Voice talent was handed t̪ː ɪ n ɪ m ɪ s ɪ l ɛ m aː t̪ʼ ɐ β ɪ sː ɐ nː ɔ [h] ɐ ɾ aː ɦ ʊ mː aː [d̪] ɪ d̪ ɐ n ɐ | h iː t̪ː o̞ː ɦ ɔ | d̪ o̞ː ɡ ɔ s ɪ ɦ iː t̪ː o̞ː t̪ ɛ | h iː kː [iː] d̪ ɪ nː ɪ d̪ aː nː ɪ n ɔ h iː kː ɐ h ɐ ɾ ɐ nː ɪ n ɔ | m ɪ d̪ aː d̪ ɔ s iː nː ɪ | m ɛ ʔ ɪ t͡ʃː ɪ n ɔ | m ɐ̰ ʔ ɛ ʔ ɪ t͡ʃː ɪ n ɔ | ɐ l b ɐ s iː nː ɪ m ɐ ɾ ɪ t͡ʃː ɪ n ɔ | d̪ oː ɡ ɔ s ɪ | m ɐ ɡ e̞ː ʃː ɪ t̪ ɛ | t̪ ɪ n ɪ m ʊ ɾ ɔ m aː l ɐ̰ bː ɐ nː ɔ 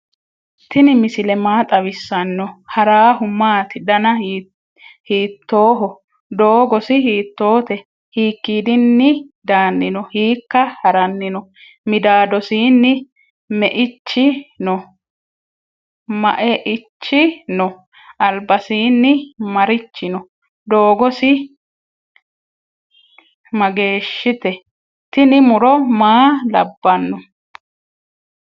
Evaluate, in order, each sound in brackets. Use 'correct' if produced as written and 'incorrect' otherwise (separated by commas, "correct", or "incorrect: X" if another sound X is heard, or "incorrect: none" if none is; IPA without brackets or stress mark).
correct, incorrect: t̪, correct